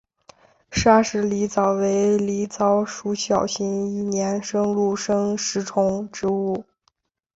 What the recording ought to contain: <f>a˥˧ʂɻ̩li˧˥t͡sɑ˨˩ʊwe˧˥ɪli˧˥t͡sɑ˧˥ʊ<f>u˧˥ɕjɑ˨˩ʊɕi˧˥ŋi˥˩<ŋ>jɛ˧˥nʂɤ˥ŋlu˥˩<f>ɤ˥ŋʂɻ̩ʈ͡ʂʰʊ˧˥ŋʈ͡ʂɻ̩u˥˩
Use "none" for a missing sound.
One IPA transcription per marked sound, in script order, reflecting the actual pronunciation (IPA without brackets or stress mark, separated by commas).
ʂ, ʂ, n, ʂ